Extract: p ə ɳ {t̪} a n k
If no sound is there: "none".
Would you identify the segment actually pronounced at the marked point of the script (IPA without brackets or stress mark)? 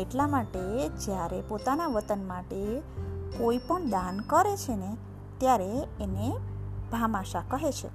d̪